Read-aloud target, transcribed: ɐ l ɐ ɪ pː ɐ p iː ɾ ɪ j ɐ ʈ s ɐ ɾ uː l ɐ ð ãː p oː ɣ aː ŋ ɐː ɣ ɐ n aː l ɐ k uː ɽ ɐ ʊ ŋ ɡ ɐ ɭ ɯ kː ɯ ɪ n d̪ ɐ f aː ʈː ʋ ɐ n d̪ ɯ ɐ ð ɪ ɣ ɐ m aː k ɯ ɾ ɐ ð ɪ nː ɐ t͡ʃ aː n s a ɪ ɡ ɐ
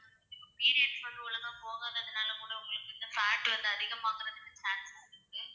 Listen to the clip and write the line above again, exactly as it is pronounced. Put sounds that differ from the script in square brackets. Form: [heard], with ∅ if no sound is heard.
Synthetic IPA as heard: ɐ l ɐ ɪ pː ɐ p iː ɾ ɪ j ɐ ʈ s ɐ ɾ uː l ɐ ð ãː p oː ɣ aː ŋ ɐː [ð] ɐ n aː l ɐ k uː ɽ ɐ ʊ ŋ ɡ ɐ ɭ ɯ kː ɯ ɪ n d̪ ɐ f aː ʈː ʋ ɐ n d̪ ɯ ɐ ð ɪ ɣ ɐ m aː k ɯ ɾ ɐ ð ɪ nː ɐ t͡ʃ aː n s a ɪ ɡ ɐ